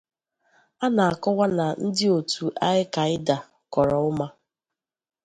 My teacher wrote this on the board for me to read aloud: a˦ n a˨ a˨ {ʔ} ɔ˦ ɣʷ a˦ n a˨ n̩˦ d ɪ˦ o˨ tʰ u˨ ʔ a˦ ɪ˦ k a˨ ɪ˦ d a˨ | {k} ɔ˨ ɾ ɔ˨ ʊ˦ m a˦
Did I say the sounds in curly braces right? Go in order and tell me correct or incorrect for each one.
incorrect, correct

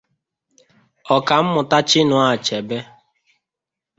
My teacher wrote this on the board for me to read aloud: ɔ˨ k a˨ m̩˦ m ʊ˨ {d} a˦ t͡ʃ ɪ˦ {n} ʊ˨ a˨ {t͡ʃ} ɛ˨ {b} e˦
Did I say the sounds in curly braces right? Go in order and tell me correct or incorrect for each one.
incorrect, correct, correct, correct

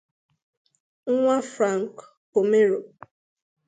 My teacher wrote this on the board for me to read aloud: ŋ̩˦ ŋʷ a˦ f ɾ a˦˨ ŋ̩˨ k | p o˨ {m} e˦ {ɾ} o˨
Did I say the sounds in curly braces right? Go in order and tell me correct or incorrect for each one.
correct, correct

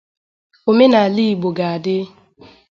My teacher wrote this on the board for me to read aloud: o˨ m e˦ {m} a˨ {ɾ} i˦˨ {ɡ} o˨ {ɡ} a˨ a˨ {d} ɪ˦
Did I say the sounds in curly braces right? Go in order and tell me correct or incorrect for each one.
incorrect, incorrect, incorrect, correct, correct

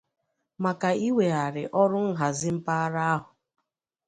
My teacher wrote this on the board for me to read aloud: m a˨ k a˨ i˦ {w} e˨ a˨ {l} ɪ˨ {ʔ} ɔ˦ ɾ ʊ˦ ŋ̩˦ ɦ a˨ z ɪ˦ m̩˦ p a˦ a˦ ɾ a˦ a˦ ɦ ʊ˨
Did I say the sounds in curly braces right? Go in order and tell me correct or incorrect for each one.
correct, incorrect, correct

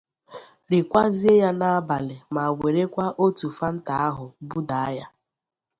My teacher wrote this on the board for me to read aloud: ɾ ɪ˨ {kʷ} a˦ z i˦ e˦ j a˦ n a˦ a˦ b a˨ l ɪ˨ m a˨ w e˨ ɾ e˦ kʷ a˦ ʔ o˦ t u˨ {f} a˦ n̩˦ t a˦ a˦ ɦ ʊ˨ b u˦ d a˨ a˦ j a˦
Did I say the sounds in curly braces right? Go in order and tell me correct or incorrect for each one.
correct, correct

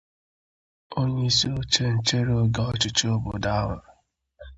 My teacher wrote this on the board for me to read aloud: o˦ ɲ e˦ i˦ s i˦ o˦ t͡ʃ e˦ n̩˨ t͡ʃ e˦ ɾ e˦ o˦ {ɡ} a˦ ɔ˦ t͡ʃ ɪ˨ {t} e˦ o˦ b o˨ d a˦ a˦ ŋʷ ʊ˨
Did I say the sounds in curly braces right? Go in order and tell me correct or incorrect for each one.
correct, incorrect

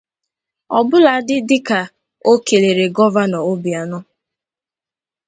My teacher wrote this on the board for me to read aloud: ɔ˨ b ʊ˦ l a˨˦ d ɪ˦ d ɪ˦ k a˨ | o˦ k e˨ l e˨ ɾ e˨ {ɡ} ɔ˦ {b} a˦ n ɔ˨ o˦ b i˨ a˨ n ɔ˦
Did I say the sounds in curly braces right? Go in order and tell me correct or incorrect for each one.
correct, incorrect

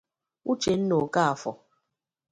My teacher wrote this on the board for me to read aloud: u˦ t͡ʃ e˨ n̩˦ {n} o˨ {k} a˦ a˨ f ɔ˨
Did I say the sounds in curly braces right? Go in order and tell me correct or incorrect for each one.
correct, correct

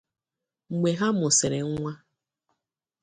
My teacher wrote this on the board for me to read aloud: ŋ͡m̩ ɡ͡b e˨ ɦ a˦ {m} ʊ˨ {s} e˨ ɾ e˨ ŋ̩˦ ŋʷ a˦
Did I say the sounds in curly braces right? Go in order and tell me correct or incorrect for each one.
correct, correct

